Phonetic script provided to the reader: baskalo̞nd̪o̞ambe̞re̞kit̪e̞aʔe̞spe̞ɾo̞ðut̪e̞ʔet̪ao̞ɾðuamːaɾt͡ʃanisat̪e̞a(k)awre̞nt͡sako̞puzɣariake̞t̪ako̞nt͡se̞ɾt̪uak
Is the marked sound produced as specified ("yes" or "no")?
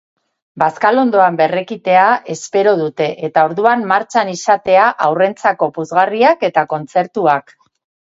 no